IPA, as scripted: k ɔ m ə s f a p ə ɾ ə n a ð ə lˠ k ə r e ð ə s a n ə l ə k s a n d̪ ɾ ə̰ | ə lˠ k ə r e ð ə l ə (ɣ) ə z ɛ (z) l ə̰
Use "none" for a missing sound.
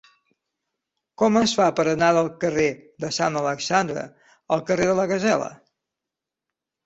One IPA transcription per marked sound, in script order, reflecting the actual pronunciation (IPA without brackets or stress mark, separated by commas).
ɣ, none